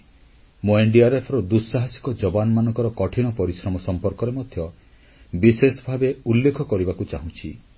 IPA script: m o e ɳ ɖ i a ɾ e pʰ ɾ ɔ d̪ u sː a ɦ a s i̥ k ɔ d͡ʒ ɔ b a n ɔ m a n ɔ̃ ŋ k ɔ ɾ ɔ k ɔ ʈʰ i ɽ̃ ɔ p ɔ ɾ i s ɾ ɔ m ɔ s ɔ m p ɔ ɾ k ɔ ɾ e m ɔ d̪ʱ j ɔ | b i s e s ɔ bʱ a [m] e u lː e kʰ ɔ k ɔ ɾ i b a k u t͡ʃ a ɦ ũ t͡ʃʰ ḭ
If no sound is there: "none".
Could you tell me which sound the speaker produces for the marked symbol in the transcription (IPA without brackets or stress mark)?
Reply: b